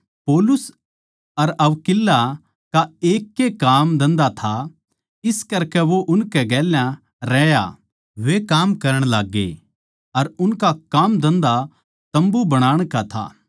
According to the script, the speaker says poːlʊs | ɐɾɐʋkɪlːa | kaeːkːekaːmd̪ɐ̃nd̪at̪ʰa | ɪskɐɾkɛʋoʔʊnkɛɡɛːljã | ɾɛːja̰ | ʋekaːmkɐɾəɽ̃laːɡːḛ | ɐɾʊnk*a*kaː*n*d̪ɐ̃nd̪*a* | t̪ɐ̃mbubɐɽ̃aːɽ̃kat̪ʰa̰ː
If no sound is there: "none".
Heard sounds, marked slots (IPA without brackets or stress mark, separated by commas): a, m, a